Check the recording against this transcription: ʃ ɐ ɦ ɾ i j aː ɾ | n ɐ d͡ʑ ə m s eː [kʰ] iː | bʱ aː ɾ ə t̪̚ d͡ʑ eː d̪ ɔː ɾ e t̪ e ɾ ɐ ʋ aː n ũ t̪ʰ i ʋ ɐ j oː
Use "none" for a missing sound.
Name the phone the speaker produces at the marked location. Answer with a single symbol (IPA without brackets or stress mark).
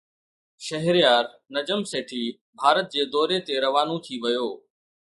ʈʰ